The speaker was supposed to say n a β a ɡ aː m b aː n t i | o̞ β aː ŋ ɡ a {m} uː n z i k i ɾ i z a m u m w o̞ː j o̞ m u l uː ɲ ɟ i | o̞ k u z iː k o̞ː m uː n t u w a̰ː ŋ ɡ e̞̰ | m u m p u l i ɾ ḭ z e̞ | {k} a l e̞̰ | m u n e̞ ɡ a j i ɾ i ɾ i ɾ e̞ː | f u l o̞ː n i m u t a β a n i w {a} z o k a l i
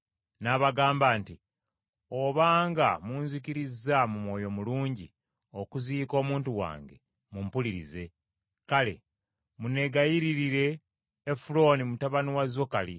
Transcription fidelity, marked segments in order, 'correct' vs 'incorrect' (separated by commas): correct, correct, correct